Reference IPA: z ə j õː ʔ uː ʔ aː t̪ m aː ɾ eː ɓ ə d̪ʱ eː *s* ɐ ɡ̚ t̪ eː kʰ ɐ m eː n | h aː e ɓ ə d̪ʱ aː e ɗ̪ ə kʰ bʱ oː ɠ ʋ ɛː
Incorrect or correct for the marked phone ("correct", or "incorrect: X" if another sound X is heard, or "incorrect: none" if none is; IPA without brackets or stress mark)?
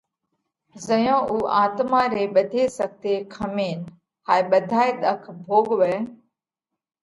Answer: correct